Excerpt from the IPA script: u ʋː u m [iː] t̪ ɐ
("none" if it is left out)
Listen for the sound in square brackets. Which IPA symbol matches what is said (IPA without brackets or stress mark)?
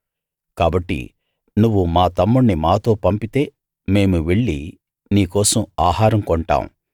aː